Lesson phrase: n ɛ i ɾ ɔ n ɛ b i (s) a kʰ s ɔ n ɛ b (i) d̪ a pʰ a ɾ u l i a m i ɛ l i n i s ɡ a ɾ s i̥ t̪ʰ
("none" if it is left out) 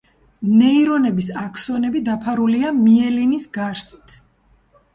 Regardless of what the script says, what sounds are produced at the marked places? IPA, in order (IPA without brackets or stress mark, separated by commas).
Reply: s, i